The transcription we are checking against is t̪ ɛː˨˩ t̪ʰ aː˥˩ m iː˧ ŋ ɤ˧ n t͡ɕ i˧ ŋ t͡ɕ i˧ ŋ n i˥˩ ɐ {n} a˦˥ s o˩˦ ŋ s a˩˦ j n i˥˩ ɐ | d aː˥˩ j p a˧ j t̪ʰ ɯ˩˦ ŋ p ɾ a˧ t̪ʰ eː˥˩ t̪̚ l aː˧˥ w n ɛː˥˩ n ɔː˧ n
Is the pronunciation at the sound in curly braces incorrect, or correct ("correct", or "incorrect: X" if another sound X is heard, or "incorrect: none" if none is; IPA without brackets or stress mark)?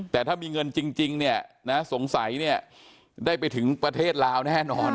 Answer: correct